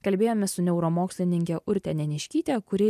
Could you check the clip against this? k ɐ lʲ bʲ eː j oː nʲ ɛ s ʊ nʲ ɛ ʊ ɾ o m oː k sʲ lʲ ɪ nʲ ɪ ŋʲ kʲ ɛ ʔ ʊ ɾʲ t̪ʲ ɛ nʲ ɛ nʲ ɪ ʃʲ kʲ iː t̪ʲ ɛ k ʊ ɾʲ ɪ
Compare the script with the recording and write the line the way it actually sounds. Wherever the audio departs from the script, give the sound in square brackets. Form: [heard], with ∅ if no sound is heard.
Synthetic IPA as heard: k ɐ lʲ bʲ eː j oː [mʲ] ɛ s ʊ nʲ ɛ ʊ ɾ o m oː k sʲ lʲ ɪ nʲ ɪ ŋʲ kʲ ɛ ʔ ʊ ɾʲ t̪ʲ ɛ nʲ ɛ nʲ ɪ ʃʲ kʲ iː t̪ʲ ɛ k ʊ ɾʲ ɪ